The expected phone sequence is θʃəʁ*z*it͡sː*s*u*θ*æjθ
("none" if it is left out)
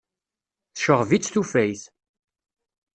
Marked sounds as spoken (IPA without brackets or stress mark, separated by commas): v, θ, f